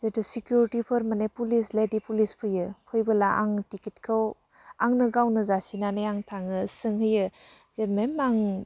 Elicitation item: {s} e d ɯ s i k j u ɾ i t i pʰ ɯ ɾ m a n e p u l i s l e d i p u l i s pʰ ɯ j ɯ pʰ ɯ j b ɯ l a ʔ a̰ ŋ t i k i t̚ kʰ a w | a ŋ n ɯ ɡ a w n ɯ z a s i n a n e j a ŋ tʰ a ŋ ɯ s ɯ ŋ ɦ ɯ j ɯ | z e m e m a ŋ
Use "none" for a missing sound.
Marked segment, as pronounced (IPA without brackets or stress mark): z